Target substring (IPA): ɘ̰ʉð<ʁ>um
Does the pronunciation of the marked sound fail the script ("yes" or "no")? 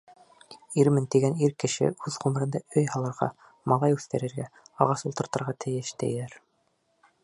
no